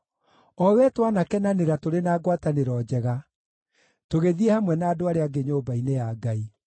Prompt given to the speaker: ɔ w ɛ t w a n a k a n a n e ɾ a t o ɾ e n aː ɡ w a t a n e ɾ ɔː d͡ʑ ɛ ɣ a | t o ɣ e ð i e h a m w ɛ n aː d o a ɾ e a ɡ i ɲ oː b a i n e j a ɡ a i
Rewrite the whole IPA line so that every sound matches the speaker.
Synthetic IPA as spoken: ɔ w ɛ t w a n a k ɛ n a n e ɾ a t o ɾ e n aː ɡ w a t a n e ɾ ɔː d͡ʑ ɛ ɣ a | t o ɣ e ð i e h a m w ɛ n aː d o a ɾ e a ɡ e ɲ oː b a i n e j a ɡ a i